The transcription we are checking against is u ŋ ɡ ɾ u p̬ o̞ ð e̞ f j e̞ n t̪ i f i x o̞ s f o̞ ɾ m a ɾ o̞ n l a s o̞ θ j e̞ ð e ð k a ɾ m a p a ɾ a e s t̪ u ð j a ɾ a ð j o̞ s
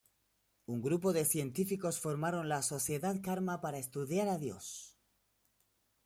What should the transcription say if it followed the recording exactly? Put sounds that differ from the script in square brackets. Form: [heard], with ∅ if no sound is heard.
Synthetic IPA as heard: u ŋ ɡ ɾ u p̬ o̞ ð e̞ [θ] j e̞ n t̪ i f i [k] o̞ s f o̞ ɾ m a ɾ o̞ n l a s o̞ θ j e̞ ð [a] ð k a ɾ m a p a ɾ a e s t̪ u ð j a ɾ a ð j o̞ s